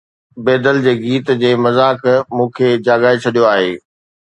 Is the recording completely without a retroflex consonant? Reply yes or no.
yes